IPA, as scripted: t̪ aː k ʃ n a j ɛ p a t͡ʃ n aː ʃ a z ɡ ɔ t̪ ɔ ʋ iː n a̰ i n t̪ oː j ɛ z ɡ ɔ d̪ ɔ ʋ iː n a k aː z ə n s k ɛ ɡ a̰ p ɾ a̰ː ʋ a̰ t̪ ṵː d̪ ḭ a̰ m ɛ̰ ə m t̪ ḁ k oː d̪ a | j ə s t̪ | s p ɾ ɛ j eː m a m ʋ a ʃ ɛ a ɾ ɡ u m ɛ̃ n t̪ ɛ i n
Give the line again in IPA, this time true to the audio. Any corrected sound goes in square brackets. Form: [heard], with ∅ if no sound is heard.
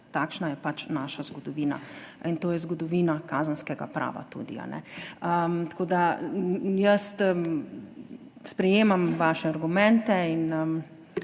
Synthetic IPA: t̪ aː k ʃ n a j ɛ p a t͡ʃ n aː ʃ a z ɡ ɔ [d̪] ɔ ʋ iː n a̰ i n t̪ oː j ɛ z ɡ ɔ d̪ ɔ ʋ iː n a k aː z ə n s k ɛ ɡ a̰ p ɾ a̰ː ʋ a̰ t̪ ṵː d̪ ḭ a̰ [n] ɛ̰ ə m t̪ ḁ k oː d̪ a | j ə s t̪ | s p ɾ ɛ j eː m a m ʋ a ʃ ɛ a ɾ ɡ u m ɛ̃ n t̪ ɛ i n